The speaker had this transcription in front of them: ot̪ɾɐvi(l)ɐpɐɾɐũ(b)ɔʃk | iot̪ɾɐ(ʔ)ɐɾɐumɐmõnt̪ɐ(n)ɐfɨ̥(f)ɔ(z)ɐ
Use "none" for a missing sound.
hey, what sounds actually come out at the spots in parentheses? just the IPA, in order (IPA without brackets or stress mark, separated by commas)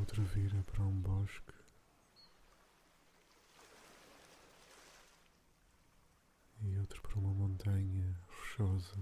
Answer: ɾ, b, p, ɲ, ʃ, z